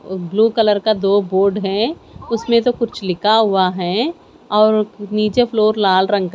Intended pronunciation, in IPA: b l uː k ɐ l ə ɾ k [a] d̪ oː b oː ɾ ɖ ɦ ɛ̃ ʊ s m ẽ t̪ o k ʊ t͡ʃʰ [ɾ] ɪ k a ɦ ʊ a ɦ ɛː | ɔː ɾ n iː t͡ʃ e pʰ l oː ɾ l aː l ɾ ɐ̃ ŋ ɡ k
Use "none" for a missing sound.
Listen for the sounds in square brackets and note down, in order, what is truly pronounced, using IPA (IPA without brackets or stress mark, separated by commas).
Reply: a, l